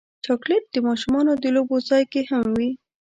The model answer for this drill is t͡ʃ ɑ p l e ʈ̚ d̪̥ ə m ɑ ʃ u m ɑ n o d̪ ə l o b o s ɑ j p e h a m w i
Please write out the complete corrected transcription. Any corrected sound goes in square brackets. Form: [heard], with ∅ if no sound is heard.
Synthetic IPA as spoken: t͡ʃ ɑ [k] l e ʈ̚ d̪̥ ə m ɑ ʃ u m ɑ n o d̪ ə l o b o [z] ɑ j [k] e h a m w i